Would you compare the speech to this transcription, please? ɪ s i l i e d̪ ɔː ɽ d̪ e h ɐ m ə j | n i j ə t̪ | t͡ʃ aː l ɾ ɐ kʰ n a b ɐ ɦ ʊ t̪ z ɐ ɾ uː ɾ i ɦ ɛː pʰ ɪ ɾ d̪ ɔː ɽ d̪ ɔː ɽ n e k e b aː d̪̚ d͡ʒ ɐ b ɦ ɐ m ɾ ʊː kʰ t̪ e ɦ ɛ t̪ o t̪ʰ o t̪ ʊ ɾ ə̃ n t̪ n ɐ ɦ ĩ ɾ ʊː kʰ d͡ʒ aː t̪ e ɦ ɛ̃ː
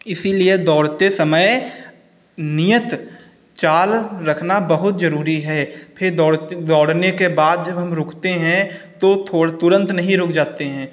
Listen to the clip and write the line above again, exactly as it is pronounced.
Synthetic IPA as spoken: ɪ s i l i e d̪ ɔː ɽ t̪ e s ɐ m ə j | n i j ə t̪ | t͡ʃ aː l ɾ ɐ kʰ n a b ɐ ɦ ʊ t̪ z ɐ ɾ uː ɾ i ɦ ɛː pʰ ɪ ɾ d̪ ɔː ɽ d̪ ɔː ɽ n e k e b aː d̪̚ d͡ʒ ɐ b ɦ ɐ m ɾ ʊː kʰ t̪ e ɦ ɛ̃ t̪ o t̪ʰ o t̪ ʊ ɾ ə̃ n t̪ n ɐ ɦ ĩ ɾ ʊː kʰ d͡ʒ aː t̪ e ɦ ɛ̃ː